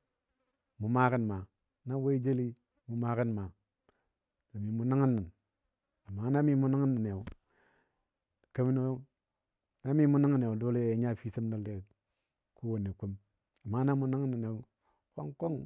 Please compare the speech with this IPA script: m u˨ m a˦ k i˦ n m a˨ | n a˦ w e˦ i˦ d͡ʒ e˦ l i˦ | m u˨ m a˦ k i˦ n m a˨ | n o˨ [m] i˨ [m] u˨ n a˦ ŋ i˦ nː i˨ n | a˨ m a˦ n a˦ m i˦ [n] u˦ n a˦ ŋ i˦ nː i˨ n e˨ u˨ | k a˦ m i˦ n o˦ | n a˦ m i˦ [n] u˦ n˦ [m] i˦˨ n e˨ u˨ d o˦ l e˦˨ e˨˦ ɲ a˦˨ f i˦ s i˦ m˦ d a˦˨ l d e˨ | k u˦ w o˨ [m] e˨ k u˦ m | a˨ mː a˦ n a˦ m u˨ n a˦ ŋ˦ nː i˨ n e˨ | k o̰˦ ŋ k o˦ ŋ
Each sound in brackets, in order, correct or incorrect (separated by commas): correct, correct, incorrect, incorrect, incorrect, incorrect